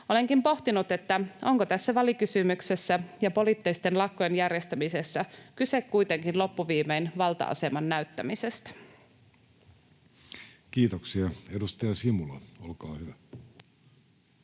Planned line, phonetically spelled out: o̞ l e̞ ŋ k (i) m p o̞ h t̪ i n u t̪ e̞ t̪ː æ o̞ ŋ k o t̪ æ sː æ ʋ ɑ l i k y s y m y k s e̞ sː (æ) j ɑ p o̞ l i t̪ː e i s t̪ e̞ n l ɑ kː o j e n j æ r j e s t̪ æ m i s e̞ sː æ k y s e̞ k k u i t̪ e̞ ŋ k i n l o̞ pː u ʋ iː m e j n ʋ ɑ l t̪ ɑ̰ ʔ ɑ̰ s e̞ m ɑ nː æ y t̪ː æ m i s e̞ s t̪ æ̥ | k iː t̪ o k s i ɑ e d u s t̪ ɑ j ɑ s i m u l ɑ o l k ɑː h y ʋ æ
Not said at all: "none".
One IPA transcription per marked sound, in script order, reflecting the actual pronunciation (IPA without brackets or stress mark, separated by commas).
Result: i, æ